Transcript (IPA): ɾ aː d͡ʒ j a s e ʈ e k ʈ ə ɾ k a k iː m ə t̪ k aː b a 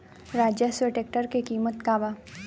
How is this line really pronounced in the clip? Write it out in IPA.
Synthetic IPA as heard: ɾ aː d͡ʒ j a s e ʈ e k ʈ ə ɾ k e k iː m ə t̪ k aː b a

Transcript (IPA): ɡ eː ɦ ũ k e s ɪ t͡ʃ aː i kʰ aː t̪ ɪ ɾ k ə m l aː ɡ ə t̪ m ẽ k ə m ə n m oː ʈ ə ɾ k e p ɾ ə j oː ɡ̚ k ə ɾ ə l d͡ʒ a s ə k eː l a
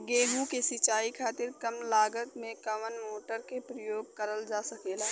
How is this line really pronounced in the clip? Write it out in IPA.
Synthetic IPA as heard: ɡ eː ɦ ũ k e s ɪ t͡ʃ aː i kʰ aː t̪ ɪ ɾ k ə m l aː ɡ ə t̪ m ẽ k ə m ə n m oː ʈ ə ɾ k e p ɾ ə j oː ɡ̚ k ə ɾ ə l d͡ʒ a s ə k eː l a

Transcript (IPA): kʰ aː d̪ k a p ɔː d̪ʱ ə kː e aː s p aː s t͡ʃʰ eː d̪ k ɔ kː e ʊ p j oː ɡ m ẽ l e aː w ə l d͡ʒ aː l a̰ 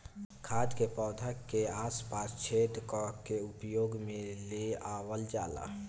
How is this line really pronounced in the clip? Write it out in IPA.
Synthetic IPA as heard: kʰ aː d̪ k e p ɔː d̪ʱ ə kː e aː s p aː s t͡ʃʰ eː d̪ k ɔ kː e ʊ p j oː ɡ m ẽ l e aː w ə l d͡ʒ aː l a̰

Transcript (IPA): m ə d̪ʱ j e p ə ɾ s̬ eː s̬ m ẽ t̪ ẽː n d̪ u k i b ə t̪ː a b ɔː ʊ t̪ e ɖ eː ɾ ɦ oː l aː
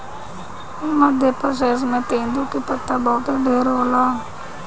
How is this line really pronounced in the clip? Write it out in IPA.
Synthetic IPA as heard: m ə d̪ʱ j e p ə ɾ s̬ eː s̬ m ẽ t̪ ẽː n d̪ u k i p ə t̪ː a b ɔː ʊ t̪ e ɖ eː ɾ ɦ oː l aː

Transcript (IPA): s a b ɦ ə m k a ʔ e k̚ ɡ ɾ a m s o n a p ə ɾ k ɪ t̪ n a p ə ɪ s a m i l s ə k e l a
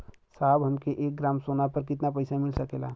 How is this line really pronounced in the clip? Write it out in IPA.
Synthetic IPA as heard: s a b ɦ ə m k e ʔ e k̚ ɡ ɾ a m s o n a p ə ɾ k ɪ t̪ n a p ə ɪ s a m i l s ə k e l a

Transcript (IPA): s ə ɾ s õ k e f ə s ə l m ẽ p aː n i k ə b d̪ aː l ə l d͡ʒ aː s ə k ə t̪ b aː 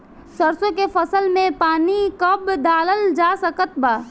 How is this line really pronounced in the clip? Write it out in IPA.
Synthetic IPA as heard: s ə ɾ s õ k e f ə s ə l m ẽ p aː n i k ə b d̪ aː l ə l d͡ʒ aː s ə k ə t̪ b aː

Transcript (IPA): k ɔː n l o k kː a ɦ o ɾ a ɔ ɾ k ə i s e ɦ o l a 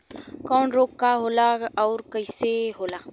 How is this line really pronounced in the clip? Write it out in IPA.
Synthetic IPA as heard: k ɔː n ɾ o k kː a ɦ o l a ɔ ɾ k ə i s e ɦ o l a

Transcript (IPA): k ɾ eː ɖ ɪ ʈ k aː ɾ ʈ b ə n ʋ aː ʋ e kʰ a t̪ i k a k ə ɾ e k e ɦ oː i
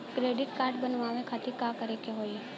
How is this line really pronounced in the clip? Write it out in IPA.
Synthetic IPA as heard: k ɾ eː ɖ ɪ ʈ k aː ɾ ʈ b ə n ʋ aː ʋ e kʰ a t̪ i k a k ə ɾ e k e ɦ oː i

